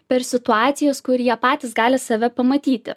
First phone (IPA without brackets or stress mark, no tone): pʲ